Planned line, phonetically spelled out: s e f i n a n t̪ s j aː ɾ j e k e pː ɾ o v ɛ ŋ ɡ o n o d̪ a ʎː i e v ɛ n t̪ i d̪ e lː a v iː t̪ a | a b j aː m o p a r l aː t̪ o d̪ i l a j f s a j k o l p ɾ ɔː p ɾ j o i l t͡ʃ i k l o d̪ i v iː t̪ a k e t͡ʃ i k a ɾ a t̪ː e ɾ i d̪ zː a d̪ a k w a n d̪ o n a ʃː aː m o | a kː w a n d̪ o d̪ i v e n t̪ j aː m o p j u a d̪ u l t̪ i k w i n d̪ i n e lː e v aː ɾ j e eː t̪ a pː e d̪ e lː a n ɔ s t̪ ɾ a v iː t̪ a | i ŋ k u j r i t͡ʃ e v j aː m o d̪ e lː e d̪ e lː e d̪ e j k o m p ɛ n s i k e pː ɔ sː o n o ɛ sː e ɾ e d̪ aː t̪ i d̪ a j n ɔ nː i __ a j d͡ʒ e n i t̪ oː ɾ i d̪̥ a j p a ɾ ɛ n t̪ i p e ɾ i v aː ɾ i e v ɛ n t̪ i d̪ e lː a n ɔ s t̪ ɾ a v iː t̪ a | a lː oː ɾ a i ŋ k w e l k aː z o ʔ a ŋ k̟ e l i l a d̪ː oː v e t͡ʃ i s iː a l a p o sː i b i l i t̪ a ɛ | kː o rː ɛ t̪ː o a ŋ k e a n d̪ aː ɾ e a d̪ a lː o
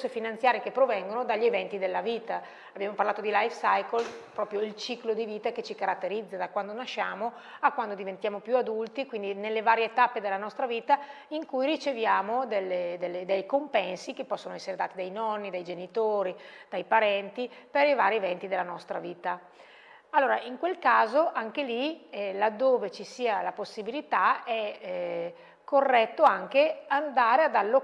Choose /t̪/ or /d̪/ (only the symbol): d̪